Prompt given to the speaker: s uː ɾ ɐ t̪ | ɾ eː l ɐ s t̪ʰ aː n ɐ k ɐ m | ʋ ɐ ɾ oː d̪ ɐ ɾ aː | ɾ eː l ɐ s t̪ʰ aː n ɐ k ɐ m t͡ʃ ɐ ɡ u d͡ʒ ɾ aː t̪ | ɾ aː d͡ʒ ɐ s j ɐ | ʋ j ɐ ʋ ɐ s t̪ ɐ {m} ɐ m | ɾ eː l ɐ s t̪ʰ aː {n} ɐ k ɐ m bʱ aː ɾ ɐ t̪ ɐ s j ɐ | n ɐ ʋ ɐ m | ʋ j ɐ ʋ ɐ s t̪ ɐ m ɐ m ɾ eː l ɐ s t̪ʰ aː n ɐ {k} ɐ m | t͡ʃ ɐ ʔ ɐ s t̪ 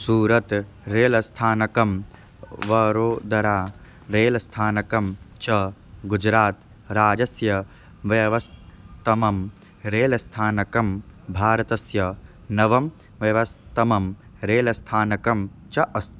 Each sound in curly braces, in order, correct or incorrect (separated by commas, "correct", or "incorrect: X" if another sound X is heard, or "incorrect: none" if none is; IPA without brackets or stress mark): correct, correct, correct